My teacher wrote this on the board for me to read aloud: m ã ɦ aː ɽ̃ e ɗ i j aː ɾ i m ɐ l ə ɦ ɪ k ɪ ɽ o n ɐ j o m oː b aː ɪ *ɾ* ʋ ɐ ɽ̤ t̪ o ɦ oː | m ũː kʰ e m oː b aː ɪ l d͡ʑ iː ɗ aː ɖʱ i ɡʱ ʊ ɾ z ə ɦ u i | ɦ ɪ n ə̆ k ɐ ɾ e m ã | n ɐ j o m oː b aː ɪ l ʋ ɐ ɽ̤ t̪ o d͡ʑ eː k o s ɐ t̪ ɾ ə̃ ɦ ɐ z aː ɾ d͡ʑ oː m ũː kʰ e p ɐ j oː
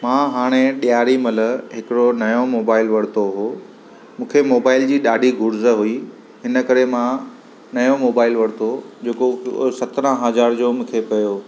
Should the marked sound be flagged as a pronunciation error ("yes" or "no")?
yes